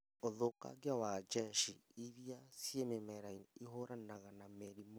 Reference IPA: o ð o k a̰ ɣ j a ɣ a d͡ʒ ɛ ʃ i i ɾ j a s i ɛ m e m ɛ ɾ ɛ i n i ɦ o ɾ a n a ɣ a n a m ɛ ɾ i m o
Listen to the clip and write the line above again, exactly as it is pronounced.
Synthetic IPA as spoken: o ð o k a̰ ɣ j a w a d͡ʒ ɛ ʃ i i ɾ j a s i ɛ m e m ɛ ɾ a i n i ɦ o ɾ a n a ɣ a n a m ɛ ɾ i m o